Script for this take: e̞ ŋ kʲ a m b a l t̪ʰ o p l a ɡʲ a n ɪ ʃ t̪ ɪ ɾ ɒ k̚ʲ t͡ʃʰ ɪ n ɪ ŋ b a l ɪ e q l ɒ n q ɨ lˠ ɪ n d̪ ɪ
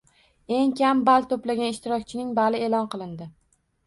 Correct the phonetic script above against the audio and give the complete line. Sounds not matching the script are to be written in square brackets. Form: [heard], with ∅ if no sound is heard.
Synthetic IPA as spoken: e̞ ŋ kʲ a m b a l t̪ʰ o p l a ɡʲ a n ɪ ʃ t̪ ɪ ɾ ɒ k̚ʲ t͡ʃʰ ɪ n ɪ ŋ b a l ɪ e [∅] l ɒ n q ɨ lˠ ɪ n d̪ ɪ